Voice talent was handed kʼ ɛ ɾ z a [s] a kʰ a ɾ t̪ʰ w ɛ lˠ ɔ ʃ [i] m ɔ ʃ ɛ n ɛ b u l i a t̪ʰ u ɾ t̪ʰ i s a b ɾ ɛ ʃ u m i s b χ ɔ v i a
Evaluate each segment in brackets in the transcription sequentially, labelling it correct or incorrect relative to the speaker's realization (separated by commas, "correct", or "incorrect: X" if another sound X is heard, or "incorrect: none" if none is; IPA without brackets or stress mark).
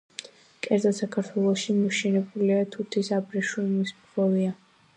correct, correct